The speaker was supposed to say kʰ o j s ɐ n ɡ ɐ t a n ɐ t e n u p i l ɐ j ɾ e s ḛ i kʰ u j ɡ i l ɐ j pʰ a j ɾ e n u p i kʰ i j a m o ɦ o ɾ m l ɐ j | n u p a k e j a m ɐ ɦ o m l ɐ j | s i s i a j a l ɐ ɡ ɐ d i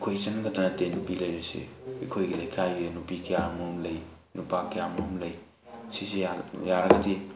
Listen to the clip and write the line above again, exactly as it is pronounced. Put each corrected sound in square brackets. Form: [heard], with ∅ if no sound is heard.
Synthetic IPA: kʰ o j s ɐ n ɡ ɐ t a n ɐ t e n u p i l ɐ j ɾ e s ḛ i kʰ [o] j ɡ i l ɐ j [kʰ] a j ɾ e n u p i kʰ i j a m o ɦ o [∅] m l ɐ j | n u p a k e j a m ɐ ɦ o m l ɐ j | s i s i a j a [ɾ] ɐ ɡ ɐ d i